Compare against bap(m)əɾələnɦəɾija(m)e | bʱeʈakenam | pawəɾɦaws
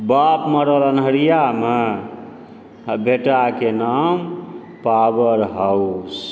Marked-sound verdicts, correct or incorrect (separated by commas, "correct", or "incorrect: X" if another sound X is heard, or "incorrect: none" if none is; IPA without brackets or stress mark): correct, correct